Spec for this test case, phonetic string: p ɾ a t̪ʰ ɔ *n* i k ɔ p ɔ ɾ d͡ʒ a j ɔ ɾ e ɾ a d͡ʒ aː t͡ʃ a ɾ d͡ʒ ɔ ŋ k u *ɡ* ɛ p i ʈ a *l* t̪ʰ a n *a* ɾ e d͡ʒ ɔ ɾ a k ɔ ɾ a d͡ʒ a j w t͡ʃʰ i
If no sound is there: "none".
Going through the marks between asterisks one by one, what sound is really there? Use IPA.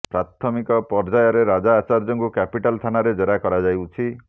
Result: m, k, l, a

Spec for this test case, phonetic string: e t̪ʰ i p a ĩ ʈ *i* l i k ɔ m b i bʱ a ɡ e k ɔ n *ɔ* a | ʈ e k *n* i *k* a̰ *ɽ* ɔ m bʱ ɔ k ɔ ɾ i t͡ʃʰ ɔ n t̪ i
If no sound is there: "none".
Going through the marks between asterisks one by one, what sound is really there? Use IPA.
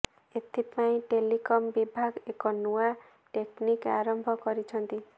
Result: e, u, n, k, ɾ

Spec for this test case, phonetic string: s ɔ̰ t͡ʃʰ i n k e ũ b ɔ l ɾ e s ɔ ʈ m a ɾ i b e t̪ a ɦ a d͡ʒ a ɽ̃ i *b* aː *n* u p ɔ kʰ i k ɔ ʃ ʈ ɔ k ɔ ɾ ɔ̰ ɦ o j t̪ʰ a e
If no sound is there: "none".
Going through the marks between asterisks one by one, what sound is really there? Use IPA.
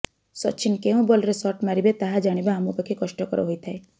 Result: b, m

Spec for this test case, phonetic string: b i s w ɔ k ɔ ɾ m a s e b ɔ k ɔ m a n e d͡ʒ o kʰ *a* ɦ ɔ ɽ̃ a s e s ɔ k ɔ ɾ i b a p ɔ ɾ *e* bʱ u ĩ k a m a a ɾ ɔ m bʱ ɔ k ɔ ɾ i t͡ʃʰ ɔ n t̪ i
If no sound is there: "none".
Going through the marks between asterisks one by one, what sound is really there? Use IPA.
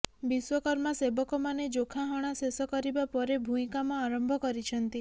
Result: a, e

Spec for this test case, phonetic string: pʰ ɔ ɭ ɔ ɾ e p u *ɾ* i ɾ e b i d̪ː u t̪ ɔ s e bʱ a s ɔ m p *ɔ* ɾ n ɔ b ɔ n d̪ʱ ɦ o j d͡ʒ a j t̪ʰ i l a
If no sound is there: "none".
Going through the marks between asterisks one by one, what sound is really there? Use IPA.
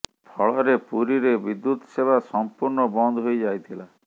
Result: ɾ, u

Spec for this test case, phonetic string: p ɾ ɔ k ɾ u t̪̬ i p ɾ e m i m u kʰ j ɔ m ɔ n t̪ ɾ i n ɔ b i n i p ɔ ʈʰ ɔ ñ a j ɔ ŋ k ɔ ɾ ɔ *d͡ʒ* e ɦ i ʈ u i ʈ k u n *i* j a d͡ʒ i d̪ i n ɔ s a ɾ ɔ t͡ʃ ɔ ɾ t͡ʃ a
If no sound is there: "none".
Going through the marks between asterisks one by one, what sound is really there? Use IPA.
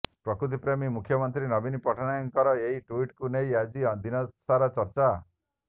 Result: none, e

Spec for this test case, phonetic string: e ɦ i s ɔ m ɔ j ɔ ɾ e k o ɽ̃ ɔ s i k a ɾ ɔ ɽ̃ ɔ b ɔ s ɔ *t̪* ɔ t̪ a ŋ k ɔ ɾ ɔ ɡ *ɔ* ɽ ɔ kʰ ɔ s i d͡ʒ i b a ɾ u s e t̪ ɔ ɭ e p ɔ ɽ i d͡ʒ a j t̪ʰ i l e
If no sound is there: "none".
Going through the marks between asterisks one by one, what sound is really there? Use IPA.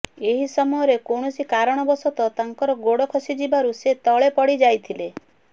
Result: t̪, o

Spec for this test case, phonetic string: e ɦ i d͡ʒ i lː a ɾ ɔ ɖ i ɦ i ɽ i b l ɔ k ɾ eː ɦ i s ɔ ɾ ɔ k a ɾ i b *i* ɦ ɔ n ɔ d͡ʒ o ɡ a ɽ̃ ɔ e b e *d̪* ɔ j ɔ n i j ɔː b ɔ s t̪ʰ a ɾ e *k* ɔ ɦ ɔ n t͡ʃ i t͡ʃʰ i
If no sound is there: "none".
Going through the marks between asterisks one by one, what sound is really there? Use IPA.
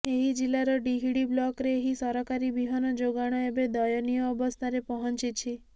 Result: i, d̪, p

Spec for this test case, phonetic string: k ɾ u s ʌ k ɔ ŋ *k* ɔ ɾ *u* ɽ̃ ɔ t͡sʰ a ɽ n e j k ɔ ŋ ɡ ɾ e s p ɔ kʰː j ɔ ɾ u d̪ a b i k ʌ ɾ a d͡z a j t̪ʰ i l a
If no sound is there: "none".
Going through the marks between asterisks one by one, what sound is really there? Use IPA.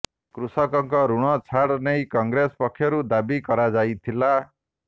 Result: k, u

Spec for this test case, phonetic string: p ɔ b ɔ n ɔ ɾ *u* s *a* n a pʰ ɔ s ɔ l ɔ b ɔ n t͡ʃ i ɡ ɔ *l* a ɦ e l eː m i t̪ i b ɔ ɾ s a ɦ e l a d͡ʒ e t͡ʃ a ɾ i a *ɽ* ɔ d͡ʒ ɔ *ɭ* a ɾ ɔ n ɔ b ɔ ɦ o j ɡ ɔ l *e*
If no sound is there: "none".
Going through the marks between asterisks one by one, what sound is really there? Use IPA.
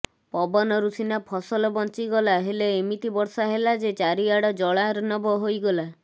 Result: u, i, l, ɽ, ɭ, a

